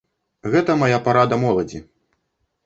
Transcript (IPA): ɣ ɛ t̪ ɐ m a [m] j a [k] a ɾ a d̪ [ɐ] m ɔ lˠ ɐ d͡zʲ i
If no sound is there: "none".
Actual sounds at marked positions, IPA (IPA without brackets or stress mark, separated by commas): none, p, ɐ